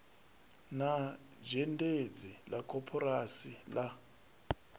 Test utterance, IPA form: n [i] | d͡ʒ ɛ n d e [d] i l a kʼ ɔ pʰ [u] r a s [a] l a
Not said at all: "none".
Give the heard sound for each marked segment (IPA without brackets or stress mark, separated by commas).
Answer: a, d͡z, ɔ, i